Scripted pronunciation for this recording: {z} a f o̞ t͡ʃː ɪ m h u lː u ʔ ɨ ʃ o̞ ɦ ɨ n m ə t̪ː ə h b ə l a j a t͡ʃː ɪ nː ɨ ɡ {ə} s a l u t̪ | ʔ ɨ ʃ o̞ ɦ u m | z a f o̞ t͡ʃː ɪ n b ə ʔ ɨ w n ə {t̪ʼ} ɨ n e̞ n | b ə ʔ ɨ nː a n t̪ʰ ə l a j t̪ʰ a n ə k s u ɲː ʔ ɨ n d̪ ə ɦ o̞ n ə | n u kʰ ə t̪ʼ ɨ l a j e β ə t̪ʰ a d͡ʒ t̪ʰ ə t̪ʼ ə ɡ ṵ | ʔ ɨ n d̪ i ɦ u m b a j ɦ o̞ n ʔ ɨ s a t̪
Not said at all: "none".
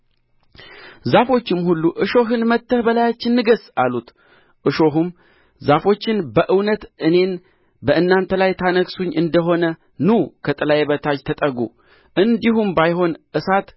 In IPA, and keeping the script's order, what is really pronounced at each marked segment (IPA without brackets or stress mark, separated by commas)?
z, ə, t̪